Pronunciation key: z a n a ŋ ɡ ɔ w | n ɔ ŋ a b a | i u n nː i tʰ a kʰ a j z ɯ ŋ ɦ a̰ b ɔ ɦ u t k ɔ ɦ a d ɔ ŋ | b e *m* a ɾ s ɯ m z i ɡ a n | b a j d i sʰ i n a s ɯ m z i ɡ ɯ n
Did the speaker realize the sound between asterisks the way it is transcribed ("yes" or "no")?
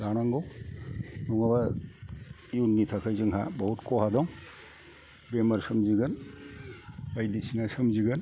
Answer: yes